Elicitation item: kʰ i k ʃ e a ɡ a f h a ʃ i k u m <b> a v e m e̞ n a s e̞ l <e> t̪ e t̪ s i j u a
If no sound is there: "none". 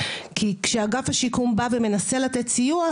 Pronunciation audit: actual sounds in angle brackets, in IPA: b, a

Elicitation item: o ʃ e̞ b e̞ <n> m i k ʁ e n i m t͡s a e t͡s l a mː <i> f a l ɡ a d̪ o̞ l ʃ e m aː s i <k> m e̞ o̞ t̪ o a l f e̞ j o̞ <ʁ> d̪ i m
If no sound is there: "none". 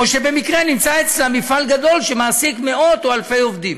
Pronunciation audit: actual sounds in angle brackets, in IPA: none, i, k, v

